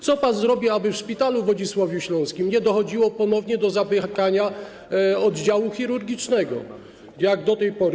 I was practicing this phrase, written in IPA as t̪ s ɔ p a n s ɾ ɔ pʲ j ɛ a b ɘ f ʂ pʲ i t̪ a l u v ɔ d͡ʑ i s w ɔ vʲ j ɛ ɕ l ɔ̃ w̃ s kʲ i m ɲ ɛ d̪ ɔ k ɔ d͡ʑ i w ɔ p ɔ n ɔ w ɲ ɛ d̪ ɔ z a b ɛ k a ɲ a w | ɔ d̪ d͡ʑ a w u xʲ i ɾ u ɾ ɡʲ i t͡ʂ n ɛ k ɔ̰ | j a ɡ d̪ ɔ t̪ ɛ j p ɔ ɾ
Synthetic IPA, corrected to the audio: t̪ s ɔ p a n z ɾ ɔ bʲ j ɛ a b ɘ f ʂ pʲ i t̪ a l u v ɔ d͡ʑ i s w ɔ vʲ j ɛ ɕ l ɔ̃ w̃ s kʲ i m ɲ ɛ d̪ ɔ x ɔ d͡ʑ i w ɔ p ɔ n ɔ v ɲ ɛ d̪ ɔ z a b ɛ k a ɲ a | ɔ d̪ d͡ʑ a w u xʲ i ɾ u ɾ ɡʲ i t͡ʂ n ɛ ɡ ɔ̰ | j a ɡ d̪ ɔ t̪ ɛ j p ɔ ɾ